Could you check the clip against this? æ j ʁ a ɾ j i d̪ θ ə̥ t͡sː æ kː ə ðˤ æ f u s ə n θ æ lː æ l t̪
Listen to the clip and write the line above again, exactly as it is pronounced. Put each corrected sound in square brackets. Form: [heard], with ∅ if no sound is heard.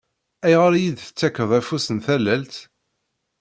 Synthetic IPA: æ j ʁ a ɾ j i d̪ θ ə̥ t͡sː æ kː ə ðˤ æ f u s ə n θ æ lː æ l t̪